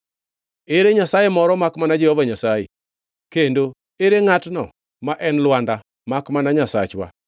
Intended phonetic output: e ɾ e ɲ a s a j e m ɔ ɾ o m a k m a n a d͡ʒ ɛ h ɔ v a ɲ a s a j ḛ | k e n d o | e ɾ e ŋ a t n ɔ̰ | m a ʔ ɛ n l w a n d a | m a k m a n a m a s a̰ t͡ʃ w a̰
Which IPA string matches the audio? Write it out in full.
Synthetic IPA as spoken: e ɾ e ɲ a s a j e m ɔ ɾ ɔ m a k m a n a d͡ʒ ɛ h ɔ v a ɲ a s a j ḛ | k e n d o | e ɾ e ŋ a t n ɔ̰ | m a ʔ ɛ n l w a n d a | m a k m a n a ɲ a s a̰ t͡ʃ w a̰